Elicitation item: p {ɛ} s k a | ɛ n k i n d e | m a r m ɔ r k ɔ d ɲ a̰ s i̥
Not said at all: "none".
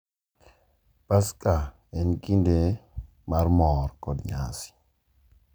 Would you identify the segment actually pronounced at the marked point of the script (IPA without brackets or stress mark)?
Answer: a